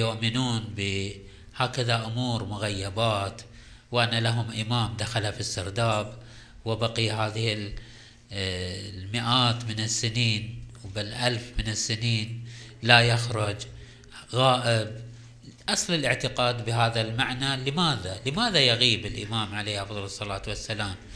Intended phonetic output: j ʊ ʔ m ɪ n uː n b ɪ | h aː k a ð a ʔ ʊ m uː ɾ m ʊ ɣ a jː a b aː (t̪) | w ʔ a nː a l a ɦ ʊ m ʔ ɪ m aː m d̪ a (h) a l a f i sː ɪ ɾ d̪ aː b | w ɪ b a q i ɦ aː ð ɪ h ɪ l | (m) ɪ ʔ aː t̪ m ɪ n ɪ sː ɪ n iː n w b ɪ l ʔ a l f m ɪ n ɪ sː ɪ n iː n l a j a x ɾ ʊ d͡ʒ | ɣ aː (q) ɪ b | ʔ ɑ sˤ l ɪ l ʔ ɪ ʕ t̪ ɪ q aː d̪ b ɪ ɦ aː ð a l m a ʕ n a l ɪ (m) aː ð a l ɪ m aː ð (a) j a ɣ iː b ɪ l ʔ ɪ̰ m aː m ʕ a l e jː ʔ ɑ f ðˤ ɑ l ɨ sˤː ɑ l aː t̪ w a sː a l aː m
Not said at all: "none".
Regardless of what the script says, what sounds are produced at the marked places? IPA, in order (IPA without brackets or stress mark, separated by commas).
t̪, x, m, ʔ, m, a